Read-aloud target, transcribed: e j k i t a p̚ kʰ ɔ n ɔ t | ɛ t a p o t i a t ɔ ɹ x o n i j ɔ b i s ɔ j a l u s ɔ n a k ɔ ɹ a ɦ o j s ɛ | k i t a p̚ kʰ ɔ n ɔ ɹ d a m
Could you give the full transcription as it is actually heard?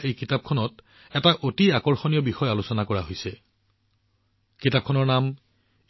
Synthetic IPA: e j k i t a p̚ kʰ ɔ n ɔ t | ɛ t a ʔ o t i a k ɔ ɹ x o n i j ɔ b i x ɔ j a l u s ɔ n a k ɔ ɹ a ɦ o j s ɛ | k i t a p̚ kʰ ɔ n ɔ ɹ n a m